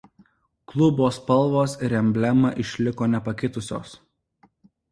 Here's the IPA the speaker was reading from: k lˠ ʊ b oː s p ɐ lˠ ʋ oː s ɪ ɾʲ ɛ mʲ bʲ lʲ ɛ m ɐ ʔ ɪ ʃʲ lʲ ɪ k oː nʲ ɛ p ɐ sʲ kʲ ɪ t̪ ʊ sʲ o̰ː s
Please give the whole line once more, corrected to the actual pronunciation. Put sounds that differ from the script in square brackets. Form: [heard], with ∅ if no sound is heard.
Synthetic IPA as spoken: k lˠ ʊ b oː s p ɐ lˠ ʋ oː s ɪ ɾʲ ɛ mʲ bʲ lʲ ɛ m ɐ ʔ ɪ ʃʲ lʲ ɪ k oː nʲ ɛ p ɐ [∅] kʲ ɪ t̪ ʊ sʲ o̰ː s